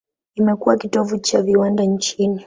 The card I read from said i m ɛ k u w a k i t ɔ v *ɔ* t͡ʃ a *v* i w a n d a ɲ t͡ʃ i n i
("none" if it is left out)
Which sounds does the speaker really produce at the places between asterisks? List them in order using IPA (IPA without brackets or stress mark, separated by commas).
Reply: u, v